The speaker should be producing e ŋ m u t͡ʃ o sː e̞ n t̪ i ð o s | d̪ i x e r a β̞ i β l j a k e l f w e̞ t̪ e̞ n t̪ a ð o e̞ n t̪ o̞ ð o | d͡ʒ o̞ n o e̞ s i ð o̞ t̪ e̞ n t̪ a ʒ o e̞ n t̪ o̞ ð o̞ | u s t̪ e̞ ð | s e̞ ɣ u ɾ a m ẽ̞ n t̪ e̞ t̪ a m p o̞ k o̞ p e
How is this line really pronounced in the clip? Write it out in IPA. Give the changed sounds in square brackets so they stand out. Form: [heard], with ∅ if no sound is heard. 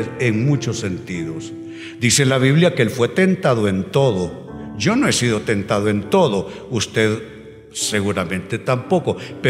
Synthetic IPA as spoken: e ŋ m u t͡ʃ o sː e̞ n t̪ i ð o s | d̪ i [s] e [l] a β̞ i β l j a k e l f w e̞ t̪ e̞ n t̪ a ð o e̞ n t̪ o̞ ð o | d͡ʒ o̞ n o e̞ s i ð o̞ t̪ e̞ n t̪ a [ð] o e̞ n t̪ o̞ ð o̞ | u s t̪ e̞ ð | s e̞ ɣ u ɾ a m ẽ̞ n t̪ e̞ t̪ a m p o̞ k o̞ p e